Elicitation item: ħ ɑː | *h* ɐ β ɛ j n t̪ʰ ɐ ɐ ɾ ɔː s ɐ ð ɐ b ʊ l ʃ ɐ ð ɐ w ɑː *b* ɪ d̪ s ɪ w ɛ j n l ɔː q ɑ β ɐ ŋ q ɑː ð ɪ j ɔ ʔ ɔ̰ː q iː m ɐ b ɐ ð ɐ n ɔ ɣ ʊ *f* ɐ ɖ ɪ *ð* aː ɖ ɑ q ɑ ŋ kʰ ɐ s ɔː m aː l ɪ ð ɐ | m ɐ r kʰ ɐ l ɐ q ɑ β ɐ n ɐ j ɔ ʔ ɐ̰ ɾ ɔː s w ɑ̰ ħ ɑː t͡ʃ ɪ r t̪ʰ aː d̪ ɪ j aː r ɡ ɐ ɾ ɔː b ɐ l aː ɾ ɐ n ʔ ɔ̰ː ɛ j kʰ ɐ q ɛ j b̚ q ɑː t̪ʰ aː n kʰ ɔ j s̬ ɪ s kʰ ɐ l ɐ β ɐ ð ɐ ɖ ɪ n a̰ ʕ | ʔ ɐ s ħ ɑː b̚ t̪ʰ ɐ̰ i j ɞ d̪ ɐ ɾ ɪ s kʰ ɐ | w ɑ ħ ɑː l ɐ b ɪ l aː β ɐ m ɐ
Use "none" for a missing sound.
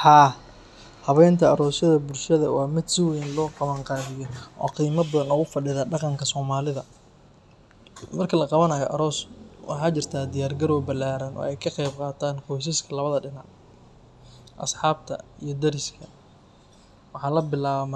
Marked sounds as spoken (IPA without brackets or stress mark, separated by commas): h, m, f, ð